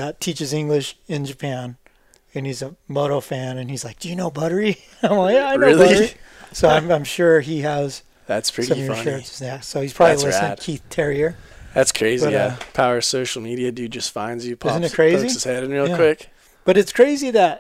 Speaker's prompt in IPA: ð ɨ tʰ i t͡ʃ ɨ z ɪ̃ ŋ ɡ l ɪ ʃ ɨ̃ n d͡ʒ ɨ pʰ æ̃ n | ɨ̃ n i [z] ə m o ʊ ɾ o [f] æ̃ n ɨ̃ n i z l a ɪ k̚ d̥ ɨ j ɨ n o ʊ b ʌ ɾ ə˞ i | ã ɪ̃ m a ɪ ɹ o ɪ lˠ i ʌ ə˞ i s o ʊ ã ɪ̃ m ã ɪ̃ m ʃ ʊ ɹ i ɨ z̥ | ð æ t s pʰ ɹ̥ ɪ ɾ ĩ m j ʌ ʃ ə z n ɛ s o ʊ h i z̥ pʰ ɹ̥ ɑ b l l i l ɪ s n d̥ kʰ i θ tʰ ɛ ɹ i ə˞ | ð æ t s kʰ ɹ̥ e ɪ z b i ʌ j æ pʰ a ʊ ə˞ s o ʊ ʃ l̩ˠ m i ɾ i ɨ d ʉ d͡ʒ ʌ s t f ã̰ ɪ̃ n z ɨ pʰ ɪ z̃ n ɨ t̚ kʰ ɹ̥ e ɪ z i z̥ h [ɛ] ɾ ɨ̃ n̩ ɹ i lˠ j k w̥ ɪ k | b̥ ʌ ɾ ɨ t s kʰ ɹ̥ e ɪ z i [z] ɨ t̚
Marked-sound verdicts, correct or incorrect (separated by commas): correct, correct, correct, incorrect